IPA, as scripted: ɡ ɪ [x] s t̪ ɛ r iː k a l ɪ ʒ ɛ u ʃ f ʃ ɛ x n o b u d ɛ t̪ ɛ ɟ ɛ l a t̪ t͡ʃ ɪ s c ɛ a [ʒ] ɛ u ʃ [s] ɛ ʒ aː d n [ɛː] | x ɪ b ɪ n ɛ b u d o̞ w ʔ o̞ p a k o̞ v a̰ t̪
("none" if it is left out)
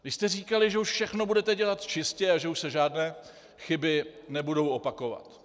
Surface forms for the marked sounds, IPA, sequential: ʃ, ʒ, s, ɛː

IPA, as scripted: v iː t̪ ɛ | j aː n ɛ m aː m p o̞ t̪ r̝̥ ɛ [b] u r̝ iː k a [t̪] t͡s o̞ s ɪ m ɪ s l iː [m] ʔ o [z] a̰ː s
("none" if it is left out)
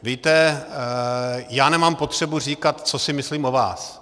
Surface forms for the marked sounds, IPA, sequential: b, t̪, m, v

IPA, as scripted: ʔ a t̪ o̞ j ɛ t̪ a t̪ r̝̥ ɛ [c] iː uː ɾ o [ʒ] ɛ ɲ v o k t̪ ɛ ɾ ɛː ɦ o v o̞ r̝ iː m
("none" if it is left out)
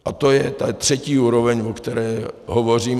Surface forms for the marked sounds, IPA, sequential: c, v

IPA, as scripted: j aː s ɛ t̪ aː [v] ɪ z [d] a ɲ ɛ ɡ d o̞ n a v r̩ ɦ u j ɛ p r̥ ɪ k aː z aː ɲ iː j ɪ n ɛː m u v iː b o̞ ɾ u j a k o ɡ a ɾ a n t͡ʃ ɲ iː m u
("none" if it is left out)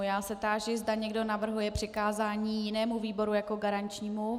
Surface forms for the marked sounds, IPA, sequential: ʒ, d

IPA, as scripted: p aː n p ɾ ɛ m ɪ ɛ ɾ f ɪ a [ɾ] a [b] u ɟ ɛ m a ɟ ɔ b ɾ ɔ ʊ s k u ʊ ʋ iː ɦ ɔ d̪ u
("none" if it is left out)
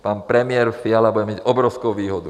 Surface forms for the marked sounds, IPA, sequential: l, b

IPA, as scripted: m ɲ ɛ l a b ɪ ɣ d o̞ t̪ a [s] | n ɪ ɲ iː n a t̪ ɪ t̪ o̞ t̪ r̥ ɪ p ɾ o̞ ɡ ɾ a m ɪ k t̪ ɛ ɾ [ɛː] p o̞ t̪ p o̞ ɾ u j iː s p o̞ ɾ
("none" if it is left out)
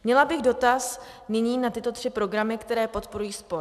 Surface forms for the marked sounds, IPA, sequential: s, ɛː

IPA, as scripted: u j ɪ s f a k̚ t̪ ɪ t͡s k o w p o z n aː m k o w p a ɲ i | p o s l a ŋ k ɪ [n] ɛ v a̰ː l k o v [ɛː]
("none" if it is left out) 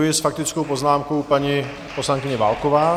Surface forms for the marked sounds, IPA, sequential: ɲ, aː

